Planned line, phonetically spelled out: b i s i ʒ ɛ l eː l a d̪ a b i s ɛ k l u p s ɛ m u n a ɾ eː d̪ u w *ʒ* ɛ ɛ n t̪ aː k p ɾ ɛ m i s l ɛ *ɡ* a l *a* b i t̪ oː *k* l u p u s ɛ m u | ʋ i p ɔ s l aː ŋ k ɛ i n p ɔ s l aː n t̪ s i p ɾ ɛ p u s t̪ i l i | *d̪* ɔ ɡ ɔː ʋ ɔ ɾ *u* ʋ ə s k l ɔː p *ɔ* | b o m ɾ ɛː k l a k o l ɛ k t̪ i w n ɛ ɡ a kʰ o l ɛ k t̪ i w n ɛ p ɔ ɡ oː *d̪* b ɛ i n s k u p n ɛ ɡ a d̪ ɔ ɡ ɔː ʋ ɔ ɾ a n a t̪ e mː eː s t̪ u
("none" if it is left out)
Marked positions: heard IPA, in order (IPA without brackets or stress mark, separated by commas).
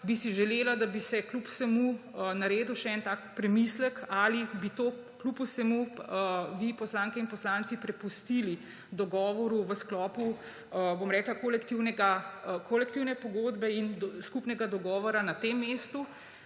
ʃ, k, i, k, d̪, u, u, d̪